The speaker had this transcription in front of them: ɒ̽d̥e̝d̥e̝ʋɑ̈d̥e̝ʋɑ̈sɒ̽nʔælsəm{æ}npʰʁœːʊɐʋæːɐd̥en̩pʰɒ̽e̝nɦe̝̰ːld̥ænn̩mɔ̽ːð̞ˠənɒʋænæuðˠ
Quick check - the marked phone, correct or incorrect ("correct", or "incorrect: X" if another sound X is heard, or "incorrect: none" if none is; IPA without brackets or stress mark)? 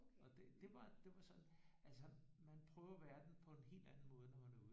correct